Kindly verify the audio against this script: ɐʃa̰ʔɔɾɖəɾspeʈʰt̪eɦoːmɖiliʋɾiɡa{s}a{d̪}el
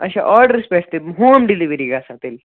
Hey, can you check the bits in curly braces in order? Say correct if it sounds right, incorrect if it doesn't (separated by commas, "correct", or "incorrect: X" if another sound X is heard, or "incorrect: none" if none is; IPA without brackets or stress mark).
correct, incorrect: t̪